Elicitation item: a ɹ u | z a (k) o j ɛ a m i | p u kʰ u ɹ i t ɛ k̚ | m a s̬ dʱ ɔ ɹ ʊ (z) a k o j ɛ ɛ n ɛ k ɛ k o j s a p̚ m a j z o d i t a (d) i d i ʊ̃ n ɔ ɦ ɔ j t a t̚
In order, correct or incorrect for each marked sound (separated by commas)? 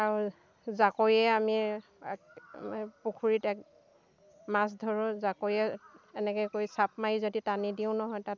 correct, correct, incorrect